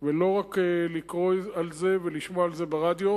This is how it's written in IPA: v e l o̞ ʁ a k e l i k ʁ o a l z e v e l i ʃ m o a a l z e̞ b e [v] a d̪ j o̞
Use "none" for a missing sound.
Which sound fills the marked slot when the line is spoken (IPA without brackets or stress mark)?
ʁ